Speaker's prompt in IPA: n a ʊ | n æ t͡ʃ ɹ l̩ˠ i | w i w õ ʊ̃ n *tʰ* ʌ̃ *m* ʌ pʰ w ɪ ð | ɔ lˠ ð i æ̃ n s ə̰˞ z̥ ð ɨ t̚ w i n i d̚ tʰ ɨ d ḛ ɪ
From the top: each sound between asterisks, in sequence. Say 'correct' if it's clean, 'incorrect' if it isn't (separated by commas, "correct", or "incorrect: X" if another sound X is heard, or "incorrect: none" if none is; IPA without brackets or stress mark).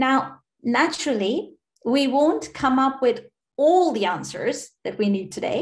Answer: incorrect: kʰ, correct